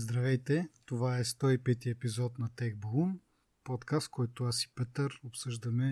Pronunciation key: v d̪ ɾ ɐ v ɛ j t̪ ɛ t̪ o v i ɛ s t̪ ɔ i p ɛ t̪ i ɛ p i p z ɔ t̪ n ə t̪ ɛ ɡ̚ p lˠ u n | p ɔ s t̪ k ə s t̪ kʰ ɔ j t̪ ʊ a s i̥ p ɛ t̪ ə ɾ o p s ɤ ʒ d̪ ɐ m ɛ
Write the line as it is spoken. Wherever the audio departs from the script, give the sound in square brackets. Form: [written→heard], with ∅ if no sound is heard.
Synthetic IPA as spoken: [v→z] d̪ ɾ ɐ v ɛ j t̪ ɛ t̪ o v [i→a] ɛ s t̪ ɔ i p ɛ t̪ i ɛ p i [p→∅] z ɔ t̪ n [ə→ɐ] t̪ ɛ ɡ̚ [p→b] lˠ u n | p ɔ [s→∅] t̪ k [ə→a] s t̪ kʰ ɔ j t̪ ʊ a s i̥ p ɛ t̪ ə ɾ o p s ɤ ʒ d̪ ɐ m ɛ